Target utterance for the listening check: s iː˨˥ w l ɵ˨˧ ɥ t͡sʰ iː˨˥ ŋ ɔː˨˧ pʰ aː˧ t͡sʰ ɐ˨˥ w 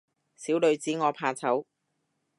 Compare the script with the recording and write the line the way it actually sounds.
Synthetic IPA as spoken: s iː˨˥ w l ɵ˨˧ ɥ t͡s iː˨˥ ŋ ɔː˨˧ pʰ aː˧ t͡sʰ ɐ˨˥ w